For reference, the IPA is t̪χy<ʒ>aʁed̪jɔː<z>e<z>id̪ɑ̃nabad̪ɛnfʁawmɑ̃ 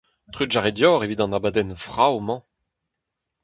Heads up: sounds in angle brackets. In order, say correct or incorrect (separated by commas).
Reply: correct, incorrect, incorrect